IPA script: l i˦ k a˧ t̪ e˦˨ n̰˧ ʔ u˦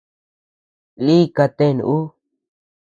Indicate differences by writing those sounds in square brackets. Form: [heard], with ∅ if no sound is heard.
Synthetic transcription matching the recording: l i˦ k a˧ t̪ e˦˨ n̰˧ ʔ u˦